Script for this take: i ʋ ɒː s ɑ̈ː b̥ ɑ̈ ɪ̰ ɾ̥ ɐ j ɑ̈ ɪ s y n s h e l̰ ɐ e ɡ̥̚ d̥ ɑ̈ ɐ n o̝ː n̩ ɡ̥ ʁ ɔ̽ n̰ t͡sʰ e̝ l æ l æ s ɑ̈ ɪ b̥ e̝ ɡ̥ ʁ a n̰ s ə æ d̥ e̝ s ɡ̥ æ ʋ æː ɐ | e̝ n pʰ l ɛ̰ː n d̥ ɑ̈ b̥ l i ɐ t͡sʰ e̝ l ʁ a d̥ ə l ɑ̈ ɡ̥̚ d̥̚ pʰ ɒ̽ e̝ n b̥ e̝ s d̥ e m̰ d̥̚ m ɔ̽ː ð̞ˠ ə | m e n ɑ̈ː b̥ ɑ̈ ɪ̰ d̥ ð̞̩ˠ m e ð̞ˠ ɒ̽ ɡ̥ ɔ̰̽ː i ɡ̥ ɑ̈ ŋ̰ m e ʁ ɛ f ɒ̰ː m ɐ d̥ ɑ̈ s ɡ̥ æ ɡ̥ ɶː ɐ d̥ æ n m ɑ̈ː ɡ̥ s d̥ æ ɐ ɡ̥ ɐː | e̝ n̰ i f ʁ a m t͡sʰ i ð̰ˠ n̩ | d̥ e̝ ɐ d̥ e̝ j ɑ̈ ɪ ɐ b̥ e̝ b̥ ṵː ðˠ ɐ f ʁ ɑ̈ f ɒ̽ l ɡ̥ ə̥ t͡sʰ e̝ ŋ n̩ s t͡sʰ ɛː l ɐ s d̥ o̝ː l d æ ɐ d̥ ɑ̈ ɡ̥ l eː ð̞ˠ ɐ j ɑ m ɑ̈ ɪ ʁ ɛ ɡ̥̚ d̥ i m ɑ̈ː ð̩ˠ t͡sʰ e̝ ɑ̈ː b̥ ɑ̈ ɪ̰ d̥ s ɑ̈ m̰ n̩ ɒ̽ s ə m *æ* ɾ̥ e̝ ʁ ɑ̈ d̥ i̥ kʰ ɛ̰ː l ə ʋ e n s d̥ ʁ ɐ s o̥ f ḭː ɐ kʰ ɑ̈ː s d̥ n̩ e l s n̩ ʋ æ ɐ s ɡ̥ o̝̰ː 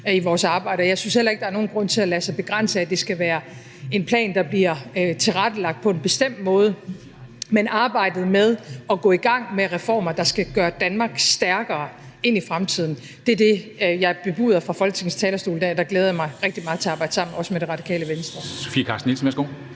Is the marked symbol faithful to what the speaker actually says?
no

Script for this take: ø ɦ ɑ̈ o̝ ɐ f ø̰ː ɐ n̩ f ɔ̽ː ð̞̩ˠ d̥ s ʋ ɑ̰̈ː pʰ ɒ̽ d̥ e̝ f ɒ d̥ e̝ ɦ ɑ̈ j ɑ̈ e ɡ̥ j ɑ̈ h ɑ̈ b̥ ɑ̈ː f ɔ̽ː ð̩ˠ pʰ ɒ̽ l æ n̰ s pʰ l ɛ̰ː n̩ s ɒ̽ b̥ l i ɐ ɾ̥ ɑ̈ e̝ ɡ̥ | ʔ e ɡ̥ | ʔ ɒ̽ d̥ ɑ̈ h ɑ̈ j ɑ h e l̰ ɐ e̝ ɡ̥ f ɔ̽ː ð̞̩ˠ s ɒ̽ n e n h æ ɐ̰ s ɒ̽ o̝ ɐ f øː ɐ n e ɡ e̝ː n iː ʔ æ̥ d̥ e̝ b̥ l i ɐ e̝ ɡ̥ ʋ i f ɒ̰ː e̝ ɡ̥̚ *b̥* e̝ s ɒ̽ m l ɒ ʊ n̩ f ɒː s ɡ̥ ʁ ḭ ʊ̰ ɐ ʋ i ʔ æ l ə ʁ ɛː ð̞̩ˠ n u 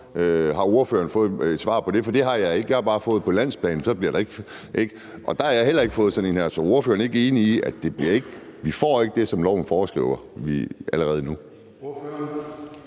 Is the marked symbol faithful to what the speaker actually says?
no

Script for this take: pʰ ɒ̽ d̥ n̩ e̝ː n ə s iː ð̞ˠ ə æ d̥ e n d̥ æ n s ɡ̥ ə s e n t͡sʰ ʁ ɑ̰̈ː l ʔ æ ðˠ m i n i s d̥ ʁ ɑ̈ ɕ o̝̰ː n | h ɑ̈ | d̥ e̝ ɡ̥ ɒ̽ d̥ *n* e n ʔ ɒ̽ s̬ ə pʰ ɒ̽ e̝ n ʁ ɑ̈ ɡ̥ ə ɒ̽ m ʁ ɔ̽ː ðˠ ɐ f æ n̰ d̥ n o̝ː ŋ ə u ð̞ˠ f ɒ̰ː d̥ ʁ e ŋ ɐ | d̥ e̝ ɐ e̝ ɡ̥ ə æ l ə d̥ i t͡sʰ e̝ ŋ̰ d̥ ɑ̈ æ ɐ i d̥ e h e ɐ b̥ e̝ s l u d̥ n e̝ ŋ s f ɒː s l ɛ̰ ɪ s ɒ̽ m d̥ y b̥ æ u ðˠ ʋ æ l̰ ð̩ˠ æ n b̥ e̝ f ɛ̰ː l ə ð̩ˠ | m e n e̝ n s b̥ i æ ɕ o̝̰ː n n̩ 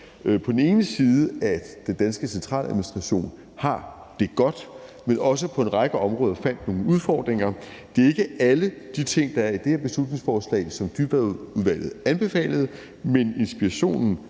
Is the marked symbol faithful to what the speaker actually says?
no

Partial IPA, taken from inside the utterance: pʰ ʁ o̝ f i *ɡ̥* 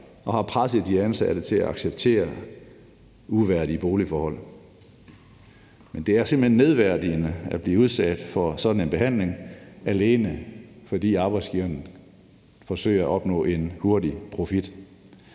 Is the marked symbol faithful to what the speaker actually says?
no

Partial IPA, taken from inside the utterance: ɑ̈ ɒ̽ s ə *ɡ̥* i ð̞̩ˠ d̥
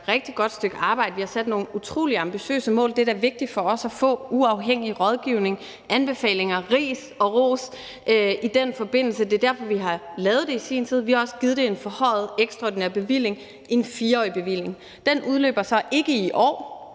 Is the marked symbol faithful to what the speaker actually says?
yes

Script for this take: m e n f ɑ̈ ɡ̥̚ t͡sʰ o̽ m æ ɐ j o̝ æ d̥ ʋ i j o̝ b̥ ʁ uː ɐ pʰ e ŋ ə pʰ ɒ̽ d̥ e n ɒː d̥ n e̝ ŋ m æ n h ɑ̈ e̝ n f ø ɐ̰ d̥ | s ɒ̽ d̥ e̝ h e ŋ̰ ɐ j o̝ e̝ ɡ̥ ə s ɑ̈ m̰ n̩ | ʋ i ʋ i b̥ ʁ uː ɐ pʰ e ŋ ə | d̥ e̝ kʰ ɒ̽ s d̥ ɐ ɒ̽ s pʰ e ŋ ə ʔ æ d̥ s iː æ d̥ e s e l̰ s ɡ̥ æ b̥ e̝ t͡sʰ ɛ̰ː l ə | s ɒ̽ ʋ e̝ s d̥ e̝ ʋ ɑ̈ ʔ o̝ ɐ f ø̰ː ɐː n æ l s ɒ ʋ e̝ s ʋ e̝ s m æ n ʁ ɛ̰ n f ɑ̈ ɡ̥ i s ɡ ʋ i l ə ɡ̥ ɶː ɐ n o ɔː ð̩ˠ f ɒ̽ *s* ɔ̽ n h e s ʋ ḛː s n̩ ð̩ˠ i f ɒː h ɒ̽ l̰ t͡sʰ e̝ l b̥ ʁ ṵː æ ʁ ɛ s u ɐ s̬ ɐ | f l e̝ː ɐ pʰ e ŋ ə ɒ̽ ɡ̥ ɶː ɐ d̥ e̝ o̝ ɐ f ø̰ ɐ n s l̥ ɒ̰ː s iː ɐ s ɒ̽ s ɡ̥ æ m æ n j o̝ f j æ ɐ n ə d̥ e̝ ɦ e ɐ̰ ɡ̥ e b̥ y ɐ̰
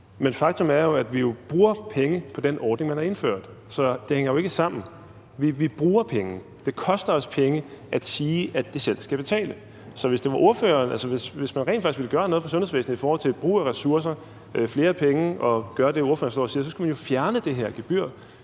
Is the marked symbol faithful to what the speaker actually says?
yes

